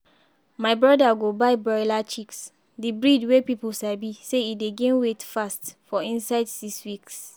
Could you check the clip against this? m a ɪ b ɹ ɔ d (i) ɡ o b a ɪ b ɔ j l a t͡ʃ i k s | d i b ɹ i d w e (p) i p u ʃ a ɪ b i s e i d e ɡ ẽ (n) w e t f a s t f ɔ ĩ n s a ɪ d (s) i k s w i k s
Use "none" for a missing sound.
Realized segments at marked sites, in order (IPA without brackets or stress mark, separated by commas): a, p, n, s